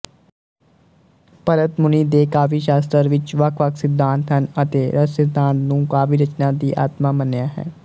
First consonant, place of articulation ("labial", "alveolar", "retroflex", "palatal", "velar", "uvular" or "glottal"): labial